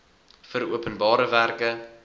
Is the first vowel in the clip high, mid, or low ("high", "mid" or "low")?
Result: mid